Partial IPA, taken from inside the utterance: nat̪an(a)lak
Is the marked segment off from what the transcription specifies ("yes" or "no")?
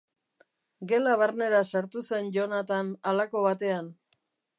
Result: no